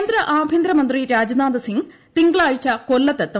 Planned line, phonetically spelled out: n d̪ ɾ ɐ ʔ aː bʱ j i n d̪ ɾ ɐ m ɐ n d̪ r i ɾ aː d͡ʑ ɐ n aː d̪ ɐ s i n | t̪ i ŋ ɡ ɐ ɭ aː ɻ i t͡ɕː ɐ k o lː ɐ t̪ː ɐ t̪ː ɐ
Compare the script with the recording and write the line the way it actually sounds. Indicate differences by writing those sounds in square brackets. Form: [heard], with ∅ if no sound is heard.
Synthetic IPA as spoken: n d̪ ɾ ɐ ʔ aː bʱ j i n d̪ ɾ ɐ m ɐ n d̪ r i ɾ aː d͡ʑ ɐ n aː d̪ ɐ s i [ŋ] | t̪ i ŋ ɡ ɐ ɭ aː ɻ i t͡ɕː ɐ k o lː ɐ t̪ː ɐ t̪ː ɐ

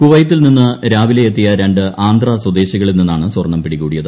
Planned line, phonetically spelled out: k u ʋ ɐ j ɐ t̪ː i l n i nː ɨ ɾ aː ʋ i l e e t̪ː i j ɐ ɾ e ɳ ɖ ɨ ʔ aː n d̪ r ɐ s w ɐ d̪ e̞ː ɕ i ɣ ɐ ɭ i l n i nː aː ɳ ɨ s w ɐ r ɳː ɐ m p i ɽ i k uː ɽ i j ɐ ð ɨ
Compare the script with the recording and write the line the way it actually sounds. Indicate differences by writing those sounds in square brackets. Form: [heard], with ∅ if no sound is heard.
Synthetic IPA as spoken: k u ʋ ɐ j ɐ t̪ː i l n i nː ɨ ɾ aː ʋ i l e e t̪ː i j ɐ ɾ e ɳ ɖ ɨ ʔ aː n d̪ r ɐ s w ɐ d̪ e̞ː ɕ i ɣ ɐ ɭ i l n i nː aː ɳ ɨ s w ɐ r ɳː ɐ m p i ɽ i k uː ɽ i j ɐ ð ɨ

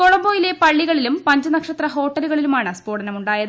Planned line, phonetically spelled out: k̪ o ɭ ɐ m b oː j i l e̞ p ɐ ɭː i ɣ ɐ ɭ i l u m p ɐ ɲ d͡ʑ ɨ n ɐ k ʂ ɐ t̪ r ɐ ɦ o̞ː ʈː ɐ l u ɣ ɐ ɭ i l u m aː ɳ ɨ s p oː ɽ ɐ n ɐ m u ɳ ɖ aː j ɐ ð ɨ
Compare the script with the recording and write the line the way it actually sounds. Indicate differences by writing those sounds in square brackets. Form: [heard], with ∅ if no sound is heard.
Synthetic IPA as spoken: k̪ o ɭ ɐ m b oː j i l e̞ p ɐ ɭː i ɣ ɐ ɭ i l u m p ɐ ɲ d͡ʑ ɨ n ɐ k ʂ ɐ t̪ r ɐ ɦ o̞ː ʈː ɐ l u ɣ ɐ ɭ i l u m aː ɳ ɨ s p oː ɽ ɐ n ɐ m u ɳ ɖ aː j ɐ ð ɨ

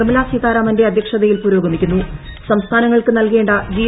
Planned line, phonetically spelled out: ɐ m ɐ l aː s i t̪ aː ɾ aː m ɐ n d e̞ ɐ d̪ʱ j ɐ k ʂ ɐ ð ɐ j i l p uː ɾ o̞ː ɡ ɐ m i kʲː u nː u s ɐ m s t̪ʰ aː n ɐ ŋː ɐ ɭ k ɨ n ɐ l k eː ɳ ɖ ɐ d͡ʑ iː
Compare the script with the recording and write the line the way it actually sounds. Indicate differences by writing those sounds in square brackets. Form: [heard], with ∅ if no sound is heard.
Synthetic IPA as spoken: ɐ m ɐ l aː s i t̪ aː ɾ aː m ɐ n d e̞ ɐ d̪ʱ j ɐ k ʂ ɐ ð ɐ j i l p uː ɾ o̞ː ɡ ɐ m i kʲː u nː u s ɐ m s t̪ʰ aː n ɐ ŋː ɐ ɭ k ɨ n ɐ l k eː ɳ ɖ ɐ d͡ʑ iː

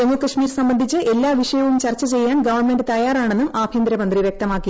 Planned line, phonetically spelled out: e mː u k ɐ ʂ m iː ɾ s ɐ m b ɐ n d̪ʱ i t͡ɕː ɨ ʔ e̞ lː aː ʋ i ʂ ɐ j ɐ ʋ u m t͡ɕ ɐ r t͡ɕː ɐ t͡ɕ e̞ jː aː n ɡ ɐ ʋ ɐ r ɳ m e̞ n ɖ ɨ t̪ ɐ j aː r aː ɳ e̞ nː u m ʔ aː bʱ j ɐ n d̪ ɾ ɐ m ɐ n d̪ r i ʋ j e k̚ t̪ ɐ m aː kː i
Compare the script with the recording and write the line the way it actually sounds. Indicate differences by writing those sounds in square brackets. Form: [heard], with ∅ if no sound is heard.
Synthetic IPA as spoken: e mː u k ɐ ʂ m iː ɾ s ɐ m b ɐ n d̪ʱ i t͡ɕː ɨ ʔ e̞ lː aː ʋ i ʂ ɐ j ɐ ʋ u m t͡ɕ ɐ r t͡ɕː ɐ t͡ɕ e̞ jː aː n ɡ ɐ ʋ ɐ r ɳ m e̞ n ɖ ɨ t̪ ɐ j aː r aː ɳ e̞ nː u m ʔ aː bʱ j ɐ n d̪ ɾ ɐ m ɐ n d̪ r i ʋ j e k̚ t̪ ɐ m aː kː i

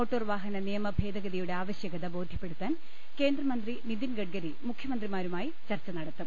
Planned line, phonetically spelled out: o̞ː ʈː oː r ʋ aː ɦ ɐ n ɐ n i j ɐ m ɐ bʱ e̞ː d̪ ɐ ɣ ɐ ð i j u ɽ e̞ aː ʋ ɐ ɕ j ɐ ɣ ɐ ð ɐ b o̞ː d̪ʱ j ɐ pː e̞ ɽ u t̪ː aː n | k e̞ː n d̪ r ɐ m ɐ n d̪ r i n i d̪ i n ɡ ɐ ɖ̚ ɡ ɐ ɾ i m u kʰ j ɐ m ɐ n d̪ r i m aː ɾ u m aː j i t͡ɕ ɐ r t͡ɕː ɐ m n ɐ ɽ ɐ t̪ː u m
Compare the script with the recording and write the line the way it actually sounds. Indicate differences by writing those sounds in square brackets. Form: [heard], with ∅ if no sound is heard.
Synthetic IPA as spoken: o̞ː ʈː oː r ʋ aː ɦ ɐ n ɐ n i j ɐ m ɐ bʱ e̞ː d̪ ɐ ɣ ɐ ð i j u ɽ e̞ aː ʋ ɐ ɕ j ɐ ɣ ɐ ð ɐ b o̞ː d̪ʱ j ɐ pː e̞ ɽ u t̪ː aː n | k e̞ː n d̪ r ɐ m ɐ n d̪ r i n i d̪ i n ɡ ɐ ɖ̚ ɡ ɐ ɾ i m u kʰ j ɐ m ɐ n d̪ r i m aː ɾ u m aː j i t͡ɕ ɐ r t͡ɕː ɐ [∅] n ɐ ɽ ɐ t̪ː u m

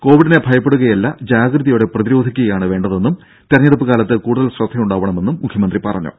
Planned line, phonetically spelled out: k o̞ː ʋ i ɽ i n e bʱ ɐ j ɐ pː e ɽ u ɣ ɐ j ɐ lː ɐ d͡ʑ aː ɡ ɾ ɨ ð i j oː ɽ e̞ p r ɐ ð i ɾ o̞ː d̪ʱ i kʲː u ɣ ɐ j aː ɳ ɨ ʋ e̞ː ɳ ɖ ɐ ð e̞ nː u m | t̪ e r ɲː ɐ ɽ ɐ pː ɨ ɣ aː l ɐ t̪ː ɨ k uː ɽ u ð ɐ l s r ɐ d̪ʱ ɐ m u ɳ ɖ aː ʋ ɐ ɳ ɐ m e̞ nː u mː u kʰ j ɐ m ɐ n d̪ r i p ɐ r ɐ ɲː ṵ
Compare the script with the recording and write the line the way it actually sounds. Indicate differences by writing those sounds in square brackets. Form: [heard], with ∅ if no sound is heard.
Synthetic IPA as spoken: k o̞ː ʋ i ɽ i n e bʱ ɐ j ɐ pː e ɽ u ɣ ɐ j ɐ lː ɐ d͡ʑ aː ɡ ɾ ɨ ð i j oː ɽ e̞ p r ɐ ð i ɾ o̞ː d̪ʱ i kʲː u ɣ ɐ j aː ɳ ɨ ʋ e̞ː ɳ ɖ ɐ ð e̞ nː u m | t̪ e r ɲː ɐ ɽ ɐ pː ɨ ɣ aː l ɐ t̪ː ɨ k uː ɽ u ð ɐ l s r ɐ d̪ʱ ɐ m u ɳ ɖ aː ʋ ɐ ɳ ɐ m e̞ nː u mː u kʰ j ɐ m ɐ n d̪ r i p ɐ r ɐ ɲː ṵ

